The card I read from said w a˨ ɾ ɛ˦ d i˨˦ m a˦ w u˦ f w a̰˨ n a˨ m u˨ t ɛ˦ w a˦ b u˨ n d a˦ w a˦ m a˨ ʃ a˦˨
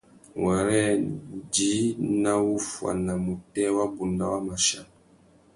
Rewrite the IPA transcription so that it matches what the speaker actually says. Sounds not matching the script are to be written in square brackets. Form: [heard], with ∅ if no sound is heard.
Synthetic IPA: w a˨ ɾ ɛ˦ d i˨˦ [n] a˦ w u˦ f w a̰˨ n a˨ m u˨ t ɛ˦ w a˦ b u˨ n d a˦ w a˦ m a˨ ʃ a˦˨